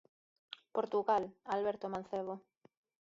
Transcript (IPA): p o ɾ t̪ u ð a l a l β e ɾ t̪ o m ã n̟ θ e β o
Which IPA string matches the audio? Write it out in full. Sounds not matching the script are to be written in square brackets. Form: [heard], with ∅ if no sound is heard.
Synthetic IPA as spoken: p o ɾ t̪ u [ɣ] a l a l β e ɾ t̪ o m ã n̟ θ e β o